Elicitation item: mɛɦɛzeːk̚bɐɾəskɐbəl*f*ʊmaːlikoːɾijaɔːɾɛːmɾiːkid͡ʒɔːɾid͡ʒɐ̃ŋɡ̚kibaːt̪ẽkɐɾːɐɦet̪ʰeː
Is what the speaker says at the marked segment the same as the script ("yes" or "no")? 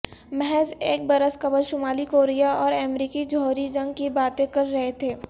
no